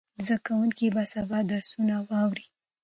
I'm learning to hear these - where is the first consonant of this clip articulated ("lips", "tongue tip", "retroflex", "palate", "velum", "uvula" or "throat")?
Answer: tongue tip